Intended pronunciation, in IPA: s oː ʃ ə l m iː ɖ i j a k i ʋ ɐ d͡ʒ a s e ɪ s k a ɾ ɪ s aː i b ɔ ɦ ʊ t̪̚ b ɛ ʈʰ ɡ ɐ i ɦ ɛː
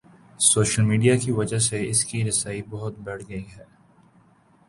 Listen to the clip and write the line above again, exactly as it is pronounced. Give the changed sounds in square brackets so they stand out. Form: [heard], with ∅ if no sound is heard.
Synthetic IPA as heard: s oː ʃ ə l m iː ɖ i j a k i ʋ ɐ d͡ʒ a s e ɪ s k [i] ɾ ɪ s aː i b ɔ ɦ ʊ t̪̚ b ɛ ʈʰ ɡ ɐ i ɦ ɛː